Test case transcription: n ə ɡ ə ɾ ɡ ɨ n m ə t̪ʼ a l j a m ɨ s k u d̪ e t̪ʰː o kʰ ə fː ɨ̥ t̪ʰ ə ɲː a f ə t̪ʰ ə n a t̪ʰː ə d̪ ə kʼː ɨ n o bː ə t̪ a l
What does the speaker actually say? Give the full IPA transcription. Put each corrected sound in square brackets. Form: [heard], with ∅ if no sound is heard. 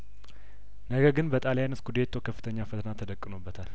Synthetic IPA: n ə ɡ ə ɾ ɡ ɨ n [b] ə t̪ʼ a l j a [n] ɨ s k u d̪ e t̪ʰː o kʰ ə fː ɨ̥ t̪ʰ ə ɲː a f ə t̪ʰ ə n a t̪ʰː ə d̪ ə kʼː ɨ n o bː ə [t̪ʰ] a l